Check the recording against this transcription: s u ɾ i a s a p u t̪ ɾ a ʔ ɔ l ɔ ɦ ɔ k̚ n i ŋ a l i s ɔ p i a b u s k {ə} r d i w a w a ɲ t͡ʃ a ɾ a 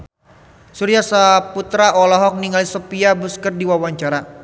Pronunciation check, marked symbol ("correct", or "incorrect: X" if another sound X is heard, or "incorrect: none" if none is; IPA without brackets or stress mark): correct